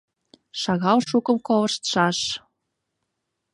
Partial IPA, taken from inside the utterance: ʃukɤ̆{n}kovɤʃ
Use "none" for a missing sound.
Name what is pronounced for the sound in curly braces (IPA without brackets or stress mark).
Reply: m